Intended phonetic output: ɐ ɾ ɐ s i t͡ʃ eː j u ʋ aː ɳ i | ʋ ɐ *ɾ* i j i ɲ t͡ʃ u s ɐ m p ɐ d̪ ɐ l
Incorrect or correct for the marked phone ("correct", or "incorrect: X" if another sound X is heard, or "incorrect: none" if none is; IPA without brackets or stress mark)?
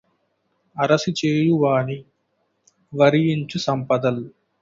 correct